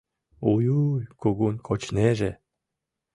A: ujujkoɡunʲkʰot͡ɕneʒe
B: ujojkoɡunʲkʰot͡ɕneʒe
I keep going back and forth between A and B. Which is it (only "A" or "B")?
A